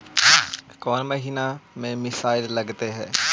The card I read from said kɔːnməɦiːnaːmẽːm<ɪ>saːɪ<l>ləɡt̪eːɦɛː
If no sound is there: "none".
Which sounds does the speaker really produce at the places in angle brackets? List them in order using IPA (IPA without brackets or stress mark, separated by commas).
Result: ɪ, l